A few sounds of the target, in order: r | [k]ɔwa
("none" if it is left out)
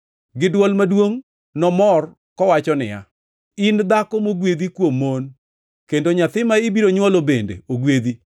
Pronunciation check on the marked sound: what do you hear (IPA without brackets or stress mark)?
k